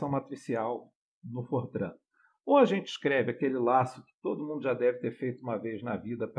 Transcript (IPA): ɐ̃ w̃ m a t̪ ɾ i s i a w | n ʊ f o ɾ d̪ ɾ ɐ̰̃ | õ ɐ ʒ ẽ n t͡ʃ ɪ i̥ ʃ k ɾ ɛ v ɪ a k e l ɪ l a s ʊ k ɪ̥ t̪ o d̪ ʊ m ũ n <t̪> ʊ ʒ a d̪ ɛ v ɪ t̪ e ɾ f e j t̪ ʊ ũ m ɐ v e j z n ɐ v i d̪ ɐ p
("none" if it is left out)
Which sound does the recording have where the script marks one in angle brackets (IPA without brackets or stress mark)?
d̪